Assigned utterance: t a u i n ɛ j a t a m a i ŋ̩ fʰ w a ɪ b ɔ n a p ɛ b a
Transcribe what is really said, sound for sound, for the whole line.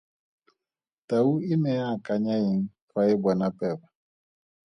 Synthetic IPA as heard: t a u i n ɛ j a k a ɲ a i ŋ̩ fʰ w a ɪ b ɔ n a p ɛ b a